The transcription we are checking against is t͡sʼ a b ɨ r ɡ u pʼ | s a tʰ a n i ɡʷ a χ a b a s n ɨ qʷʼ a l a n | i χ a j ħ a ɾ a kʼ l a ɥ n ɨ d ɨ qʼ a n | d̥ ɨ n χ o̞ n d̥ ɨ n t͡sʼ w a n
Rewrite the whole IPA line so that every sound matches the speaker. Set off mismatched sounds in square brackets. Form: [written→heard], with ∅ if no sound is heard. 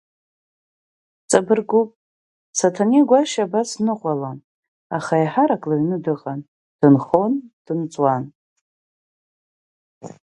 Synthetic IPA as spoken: t͡sʼ a b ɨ r ɡ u pʼ | s a tʰ a n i ɡʷ a [χ→ʃ] a b a s n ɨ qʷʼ a l a n | [i→a] χ a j ħ a ɾ a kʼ l a ɥ n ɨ d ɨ qʼ a n | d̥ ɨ n χ o̞ n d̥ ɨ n t͡sʼ w a n